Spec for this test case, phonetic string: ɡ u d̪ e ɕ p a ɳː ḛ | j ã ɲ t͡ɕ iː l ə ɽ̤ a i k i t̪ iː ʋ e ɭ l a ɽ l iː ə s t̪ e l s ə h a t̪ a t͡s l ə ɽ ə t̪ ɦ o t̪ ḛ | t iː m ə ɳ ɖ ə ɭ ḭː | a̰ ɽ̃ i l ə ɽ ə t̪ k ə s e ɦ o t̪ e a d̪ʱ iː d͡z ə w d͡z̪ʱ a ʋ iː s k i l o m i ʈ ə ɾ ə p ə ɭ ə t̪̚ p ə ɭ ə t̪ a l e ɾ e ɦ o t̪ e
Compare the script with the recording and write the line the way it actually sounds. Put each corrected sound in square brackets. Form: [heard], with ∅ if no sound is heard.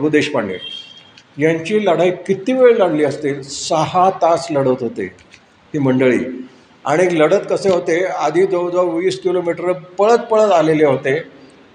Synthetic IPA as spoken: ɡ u d̪ e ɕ p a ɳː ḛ | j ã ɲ t͡ɕ iː l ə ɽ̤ a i k i t̪ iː ʋ e ɭ l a ɽ l iː ə s t̪ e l s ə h a t̪ a t͡s l ə ɽ ə t̪ ɦ o t̪ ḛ | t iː m ə ɳ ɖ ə ɭ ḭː | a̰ ɽ̃ i l ə ɽ ə t̪ k ə s e ɦ o t̪ e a d̪ʱ iː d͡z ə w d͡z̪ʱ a ʋ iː s k i l o m i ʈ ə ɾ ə p ə ɭ ə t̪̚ p ə ɭ ə t̪ a l e [l] e ɦ o t̪ e